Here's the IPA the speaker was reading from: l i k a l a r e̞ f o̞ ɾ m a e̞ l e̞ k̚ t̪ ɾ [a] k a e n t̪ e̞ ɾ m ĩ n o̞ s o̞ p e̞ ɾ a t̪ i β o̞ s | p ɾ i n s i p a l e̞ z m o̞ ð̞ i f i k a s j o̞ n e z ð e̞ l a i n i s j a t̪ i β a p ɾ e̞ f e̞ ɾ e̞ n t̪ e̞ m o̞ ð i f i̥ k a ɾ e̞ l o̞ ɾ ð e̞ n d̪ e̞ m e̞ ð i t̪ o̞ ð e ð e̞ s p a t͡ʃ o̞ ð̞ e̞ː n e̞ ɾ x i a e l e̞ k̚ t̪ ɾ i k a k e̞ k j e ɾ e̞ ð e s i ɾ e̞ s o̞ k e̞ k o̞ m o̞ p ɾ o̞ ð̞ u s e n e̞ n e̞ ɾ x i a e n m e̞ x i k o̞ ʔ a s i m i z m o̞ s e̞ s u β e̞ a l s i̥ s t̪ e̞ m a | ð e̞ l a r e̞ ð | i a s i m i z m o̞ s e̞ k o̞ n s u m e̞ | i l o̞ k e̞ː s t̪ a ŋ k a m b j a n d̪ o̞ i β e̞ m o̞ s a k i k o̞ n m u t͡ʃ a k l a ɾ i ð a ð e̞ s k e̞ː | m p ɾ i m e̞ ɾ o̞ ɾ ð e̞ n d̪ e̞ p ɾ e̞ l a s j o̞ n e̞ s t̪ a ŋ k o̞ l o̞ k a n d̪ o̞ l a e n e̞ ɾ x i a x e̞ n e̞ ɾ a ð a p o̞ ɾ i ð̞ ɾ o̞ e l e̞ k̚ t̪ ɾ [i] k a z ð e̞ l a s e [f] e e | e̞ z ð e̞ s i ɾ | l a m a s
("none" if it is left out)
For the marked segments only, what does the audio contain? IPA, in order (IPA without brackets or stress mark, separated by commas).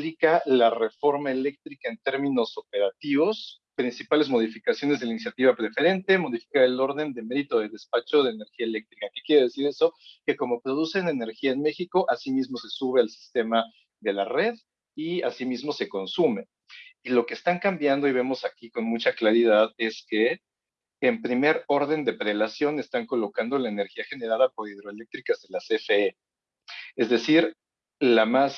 i, i, f